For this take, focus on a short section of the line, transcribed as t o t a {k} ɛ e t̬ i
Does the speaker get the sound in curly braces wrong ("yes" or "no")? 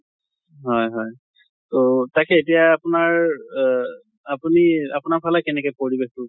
no